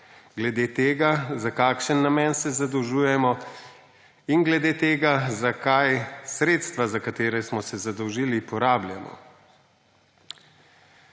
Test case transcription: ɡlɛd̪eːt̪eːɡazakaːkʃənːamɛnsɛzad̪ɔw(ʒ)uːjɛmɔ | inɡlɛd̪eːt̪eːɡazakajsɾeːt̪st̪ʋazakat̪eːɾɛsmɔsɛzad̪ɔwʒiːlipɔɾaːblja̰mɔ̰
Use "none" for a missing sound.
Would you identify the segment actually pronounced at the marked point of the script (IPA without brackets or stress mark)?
ʒ